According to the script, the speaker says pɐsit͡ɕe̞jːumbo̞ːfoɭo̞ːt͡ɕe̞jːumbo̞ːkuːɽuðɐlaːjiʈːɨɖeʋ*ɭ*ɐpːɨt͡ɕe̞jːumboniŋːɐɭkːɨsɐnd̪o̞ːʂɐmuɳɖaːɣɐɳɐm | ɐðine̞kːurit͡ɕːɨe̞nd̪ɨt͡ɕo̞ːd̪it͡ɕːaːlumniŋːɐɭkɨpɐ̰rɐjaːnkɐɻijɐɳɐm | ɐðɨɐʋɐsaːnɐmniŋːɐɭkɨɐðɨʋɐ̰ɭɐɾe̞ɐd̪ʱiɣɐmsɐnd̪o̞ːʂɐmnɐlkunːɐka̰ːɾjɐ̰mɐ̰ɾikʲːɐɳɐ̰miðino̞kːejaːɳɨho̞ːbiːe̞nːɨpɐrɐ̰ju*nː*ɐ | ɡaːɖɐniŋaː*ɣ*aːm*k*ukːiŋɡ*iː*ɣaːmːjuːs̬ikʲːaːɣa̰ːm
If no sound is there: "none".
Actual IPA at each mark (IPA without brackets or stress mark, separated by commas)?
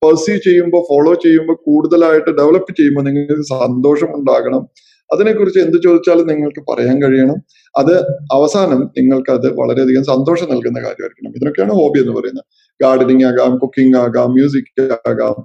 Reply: ɭ, nː, ɣ, k, aː